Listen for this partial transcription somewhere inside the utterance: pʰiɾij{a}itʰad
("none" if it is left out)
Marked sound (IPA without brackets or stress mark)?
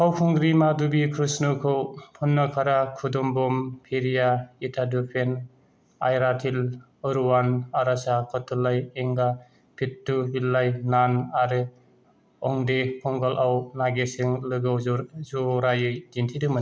a